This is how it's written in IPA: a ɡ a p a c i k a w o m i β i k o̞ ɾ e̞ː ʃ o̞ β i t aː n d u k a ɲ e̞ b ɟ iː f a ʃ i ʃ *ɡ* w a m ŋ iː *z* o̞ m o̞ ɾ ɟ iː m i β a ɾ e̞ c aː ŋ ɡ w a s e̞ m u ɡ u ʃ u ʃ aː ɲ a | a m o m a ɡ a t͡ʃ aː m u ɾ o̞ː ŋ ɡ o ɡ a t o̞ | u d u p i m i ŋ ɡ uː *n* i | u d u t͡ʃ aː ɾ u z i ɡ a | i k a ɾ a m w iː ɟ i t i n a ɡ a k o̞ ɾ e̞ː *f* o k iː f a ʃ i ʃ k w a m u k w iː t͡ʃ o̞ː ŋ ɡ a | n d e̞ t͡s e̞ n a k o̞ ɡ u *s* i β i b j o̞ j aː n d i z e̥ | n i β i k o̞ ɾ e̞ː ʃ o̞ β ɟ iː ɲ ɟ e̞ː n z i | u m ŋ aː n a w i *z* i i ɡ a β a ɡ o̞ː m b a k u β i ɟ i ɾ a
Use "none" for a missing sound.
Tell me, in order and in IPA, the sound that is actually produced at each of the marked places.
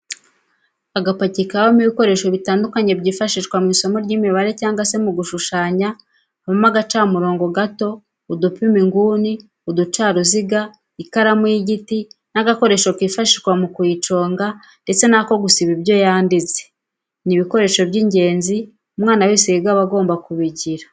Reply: k, s, n, ʃ, s, s

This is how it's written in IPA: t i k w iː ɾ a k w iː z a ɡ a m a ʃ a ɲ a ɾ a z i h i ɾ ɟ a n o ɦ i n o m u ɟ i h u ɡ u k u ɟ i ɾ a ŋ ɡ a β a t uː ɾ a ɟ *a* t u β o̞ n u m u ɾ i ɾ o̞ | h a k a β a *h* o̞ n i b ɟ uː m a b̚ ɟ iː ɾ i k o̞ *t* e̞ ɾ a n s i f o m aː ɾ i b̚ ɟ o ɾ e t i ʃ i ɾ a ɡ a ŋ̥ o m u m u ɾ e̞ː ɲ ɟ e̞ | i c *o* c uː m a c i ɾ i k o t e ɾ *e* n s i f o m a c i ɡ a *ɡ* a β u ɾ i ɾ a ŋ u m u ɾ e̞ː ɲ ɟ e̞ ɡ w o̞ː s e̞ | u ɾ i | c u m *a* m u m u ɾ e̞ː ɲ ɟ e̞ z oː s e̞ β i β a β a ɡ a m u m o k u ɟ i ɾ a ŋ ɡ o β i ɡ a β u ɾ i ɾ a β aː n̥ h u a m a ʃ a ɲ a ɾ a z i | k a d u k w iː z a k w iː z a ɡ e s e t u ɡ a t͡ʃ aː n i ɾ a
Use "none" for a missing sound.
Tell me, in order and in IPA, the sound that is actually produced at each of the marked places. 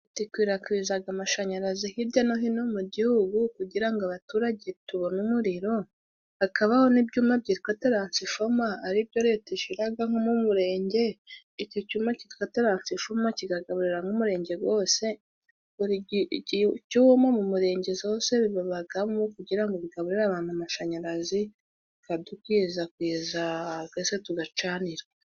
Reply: e, h, t, o, a, ɡ, a

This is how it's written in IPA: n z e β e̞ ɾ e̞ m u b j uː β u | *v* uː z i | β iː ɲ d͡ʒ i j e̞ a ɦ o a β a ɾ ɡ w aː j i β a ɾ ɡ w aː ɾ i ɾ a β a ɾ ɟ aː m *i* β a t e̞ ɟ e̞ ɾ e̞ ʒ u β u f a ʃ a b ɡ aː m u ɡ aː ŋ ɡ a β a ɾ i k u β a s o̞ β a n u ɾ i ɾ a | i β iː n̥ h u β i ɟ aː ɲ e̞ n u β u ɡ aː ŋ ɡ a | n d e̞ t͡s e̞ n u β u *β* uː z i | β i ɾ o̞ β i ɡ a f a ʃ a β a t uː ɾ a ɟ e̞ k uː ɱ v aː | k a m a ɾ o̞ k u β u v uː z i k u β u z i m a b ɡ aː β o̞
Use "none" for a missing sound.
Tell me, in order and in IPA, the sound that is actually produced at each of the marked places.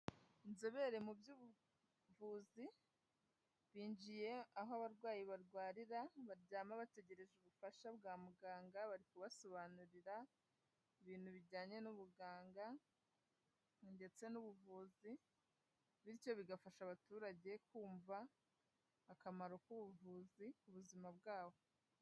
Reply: v, a, v

